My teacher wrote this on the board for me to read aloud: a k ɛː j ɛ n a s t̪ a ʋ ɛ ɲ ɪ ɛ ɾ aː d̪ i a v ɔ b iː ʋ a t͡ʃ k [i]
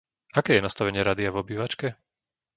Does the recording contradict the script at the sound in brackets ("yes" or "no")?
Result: yes